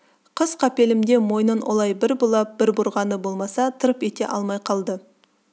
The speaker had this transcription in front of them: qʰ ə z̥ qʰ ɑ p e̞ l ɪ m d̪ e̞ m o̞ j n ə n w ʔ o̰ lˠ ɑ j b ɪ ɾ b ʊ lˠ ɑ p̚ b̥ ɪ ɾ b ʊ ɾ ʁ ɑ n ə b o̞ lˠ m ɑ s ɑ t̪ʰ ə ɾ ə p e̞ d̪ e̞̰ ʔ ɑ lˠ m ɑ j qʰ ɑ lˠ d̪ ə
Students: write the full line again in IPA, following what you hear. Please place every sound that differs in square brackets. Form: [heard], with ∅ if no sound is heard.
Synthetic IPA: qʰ ə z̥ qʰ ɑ p e̞ l ɪ m d̪ e̞ m o̞ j n ə n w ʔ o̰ lˠ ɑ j b ɪ ɾ b ʊ lˠ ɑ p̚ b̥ ɪ ɾ b ʊ ɾ ʁ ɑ n ə b o̞ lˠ m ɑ s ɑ t̪ʰ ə ɾ ə p e̞ [t̪] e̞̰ ʔ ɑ lˠ m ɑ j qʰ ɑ lˠ d̪ ə